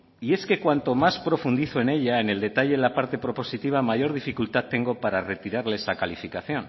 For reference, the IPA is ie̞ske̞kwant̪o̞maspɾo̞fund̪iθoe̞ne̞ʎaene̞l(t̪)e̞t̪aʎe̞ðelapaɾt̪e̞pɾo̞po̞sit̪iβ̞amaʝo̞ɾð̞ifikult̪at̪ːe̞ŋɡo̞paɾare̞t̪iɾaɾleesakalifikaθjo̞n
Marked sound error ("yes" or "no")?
yes